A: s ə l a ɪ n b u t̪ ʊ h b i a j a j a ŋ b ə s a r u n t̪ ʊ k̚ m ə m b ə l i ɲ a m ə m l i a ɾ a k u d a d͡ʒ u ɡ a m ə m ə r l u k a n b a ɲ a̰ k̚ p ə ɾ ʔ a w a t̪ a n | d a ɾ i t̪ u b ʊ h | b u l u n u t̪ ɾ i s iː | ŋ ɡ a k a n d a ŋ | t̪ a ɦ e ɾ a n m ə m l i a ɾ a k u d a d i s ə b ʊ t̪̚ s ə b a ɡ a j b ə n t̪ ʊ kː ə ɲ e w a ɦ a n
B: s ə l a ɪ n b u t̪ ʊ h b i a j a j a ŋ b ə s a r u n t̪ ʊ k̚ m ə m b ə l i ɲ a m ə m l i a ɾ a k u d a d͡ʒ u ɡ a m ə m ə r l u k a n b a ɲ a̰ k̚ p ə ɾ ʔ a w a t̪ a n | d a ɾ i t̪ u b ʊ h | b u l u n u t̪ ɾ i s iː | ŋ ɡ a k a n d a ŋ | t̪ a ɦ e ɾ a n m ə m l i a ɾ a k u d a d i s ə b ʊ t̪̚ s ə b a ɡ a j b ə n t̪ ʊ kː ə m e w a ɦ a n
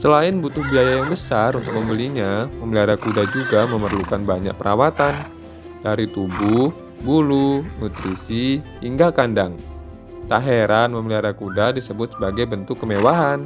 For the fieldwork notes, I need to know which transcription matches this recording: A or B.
B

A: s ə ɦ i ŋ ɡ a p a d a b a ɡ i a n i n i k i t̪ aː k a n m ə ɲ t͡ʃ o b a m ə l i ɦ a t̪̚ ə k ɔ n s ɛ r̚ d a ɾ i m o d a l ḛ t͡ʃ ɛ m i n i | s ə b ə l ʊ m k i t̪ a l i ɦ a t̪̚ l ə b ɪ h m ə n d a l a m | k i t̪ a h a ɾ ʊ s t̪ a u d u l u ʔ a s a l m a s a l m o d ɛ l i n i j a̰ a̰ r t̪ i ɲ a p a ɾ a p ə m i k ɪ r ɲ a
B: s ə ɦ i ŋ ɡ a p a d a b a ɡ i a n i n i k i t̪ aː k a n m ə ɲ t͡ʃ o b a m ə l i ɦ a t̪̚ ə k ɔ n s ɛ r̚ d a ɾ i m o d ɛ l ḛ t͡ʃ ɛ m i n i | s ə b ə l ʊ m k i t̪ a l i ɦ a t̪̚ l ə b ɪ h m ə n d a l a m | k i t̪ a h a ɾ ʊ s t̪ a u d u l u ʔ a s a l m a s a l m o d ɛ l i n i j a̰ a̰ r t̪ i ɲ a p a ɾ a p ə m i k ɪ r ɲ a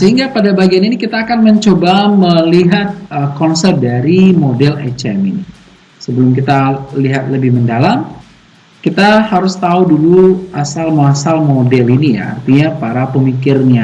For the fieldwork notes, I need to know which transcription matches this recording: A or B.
B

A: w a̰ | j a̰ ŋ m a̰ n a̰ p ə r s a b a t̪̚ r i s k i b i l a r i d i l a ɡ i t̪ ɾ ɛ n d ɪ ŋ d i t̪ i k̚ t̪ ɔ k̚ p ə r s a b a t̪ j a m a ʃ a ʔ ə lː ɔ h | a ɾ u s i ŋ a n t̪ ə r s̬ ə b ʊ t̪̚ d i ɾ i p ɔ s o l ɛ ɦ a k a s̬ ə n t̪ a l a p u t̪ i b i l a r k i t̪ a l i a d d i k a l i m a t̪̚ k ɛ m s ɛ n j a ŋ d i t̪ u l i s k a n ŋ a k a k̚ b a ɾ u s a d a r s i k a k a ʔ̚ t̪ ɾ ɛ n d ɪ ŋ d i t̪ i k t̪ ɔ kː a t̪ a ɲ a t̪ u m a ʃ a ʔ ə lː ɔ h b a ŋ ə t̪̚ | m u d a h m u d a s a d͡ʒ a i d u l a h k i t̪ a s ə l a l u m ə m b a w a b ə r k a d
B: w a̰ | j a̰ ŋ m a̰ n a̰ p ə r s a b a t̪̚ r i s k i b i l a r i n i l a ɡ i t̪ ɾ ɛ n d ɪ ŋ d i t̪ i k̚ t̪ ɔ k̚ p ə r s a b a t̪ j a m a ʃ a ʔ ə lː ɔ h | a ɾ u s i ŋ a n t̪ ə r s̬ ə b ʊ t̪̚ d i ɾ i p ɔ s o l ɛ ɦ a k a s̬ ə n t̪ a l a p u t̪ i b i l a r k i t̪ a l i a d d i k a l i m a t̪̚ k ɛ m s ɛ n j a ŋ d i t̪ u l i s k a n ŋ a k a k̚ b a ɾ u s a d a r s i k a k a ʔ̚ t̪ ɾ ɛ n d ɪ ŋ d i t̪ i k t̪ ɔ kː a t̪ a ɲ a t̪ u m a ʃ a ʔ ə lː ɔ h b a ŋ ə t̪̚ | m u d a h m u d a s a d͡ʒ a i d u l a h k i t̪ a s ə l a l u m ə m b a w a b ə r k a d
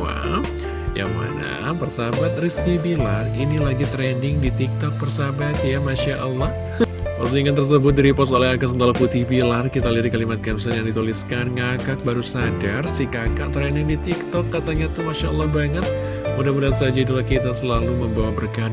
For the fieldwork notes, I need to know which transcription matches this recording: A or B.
B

